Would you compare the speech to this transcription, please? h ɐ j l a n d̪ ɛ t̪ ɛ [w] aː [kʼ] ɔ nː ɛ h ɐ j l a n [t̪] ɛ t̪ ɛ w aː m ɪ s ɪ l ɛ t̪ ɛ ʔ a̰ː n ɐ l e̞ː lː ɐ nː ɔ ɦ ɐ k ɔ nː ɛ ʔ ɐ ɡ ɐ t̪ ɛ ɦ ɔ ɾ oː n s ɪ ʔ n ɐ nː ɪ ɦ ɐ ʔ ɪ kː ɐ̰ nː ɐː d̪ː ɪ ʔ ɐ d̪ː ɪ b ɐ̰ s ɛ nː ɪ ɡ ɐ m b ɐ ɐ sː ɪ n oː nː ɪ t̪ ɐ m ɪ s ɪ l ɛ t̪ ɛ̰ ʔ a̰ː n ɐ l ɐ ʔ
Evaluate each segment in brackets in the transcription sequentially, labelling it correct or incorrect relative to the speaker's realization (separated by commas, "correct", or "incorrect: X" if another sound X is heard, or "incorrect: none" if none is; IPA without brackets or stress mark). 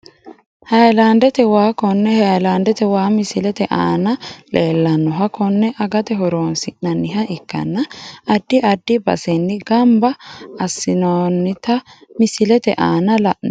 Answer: correct, incorrect: k, incorrect: d̪